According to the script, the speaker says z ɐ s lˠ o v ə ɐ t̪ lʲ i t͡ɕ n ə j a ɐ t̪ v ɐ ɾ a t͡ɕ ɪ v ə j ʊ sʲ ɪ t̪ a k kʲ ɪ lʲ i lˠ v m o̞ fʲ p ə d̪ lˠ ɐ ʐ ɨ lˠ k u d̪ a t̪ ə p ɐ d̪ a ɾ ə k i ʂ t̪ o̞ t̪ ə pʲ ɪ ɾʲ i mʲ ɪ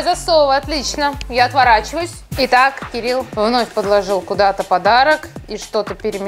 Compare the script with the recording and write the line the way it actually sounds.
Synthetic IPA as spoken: z ɐ s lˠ o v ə ɐ t̪ lʲ i t͡ɕ n ə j a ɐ t̪ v ɐ ɾ a t͡ɕ ɪ v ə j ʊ sʲ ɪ t̪ a k kʲ ɪ ɾʲ i lˠ v n o̞ fʲ p ə d̪ lˠ ɐ ʐ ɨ lˠ k ʊ d̪ a t̪ ə p ɐ d̪ a ɾ ə k i ʂ t̪ o̞ t̪ ə pʲ ɪ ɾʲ ɪ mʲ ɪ